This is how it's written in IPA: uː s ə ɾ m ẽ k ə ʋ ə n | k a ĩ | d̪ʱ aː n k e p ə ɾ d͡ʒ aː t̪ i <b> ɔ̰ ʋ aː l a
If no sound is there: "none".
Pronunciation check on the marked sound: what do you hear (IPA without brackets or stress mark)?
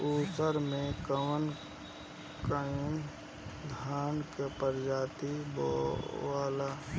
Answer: b